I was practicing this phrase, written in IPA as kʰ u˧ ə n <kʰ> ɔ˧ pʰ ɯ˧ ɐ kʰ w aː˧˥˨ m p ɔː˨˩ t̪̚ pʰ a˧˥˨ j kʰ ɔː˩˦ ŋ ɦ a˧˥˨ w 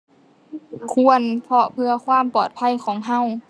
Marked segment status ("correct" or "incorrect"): incorrect